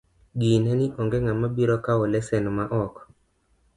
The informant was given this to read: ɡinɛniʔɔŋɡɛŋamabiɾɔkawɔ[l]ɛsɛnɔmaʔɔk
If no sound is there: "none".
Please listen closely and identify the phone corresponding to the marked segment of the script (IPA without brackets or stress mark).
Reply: l